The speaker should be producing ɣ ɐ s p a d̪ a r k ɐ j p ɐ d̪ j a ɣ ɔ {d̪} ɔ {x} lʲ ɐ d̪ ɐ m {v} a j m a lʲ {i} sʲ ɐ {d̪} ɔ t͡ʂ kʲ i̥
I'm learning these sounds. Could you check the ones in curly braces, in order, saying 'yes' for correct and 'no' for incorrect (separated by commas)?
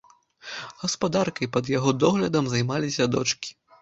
yes, no, no, yes, yes